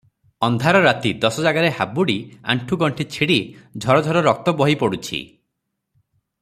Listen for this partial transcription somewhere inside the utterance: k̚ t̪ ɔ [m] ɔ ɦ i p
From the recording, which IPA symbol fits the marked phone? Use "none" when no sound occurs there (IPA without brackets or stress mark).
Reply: b